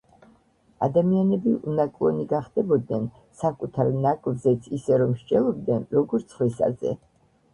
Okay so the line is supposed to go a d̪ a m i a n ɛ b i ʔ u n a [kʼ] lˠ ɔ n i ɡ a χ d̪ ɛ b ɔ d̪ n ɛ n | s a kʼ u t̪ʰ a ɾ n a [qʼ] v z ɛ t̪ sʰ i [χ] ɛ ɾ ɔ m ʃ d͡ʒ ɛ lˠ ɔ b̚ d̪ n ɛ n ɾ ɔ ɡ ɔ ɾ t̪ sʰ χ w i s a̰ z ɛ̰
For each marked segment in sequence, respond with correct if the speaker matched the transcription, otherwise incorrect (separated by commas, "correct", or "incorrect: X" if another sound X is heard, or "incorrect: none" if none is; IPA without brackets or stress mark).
correct, incorrect: kʼ, incorrect: s